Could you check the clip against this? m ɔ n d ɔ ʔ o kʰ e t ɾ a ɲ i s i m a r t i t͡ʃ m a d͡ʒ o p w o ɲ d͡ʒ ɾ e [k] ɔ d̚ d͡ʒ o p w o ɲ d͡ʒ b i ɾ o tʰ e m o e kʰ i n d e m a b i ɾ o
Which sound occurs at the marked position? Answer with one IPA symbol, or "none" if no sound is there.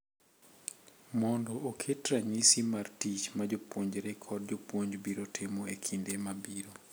kʰ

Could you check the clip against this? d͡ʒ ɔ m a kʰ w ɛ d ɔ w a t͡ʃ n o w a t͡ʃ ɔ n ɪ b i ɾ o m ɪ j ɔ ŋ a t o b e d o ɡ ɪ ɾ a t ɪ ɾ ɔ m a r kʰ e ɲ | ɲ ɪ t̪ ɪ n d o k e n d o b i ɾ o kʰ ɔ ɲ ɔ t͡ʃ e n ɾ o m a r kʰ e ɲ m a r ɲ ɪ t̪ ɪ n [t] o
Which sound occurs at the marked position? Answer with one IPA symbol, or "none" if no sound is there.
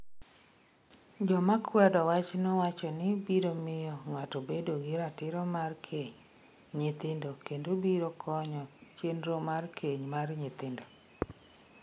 d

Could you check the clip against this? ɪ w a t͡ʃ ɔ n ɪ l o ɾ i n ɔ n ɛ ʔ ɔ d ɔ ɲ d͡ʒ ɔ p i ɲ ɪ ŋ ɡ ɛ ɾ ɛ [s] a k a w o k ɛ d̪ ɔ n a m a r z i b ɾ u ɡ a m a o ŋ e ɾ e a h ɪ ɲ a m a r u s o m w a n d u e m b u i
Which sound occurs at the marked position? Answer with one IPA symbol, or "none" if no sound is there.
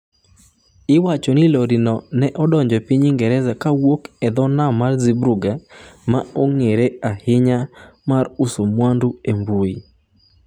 z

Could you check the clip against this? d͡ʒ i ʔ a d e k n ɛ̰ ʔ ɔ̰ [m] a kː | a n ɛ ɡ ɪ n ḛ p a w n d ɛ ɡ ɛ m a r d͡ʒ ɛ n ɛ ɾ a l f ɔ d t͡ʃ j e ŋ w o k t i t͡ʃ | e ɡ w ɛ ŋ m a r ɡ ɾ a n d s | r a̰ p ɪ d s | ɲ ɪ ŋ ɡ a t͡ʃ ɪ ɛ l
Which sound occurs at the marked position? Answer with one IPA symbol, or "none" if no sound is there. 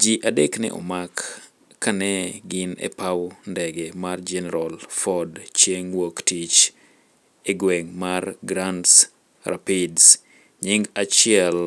m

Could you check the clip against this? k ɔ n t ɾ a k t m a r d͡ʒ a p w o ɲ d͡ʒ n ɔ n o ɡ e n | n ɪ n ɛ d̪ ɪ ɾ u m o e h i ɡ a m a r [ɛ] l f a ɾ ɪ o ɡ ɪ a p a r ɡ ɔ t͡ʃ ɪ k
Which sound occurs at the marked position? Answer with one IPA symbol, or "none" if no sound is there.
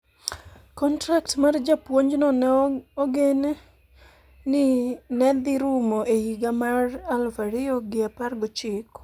a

